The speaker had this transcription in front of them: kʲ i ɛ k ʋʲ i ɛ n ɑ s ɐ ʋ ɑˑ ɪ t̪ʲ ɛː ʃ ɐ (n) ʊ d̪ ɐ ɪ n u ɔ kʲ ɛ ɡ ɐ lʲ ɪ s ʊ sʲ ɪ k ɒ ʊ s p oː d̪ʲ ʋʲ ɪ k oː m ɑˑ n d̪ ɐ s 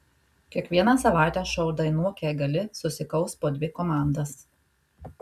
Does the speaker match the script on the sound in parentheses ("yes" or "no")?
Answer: no